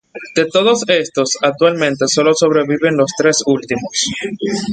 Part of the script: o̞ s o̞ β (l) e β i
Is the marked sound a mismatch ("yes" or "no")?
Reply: yes